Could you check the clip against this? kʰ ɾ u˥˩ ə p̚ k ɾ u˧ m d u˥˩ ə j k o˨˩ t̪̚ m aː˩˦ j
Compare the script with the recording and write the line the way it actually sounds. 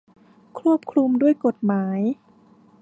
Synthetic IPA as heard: kʰ ɾ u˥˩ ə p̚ kʰ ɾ u˧ m d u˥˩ ə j k o˨˩ t̪̚ m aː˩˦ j